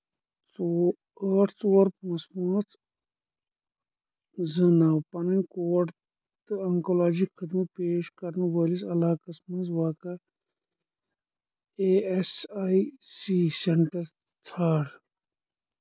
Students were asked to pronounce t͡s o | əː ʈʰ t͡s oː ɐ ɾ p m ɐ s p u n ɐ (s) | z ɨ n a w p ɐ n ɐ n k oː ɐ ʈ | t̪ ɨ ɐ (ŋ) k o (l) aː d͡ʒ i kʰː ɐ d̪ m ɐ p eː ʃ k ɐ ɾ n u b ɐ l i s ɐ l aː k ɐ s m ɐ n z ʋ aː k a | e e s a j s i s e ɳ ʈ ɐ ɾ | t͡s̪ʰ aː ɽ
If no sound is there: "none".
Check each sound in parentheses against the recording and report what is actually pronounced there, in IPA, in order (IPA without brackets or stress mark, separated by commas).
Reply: t͡s, ŋ, l